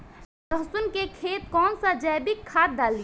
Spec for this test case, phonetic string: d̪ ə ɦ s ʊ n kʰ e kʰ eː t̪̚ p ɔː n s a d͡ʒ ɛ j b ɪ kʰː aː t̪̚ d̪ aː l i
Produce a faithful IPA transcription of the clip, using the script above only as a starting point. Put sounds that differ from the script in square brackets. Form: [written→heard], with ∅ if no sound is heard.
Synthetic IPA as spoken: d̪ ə ɦ s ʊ n [kʰ→k] e kʰ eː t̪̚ [p→k] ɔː n s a d͡ʒ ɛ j b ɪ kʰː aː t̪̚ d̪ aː l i